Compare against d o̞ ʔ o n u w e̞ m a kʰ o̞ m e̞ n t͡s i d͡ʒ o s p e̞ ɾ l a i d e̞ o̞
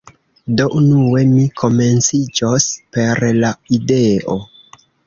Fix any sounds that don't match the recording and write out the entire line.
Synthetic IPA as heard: d o̞ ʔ u n u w e̞ m i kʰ o̞ m e̞ n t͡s i d͡ʒ o s p e̞ ɾ l a i d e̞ o̞